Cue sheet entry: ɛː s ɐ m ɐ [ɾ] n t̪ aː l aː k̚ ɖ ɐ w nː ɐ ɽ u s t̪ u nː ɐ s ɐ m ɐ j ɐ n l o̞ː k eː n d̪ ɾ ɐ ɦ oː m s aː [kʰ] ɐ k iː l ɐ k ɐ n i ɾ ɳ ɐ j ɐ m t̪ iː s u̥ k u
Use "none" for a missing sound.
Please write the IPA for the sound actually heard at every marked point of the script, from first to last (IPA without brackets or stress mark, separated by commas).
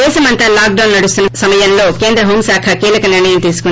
none, kʰ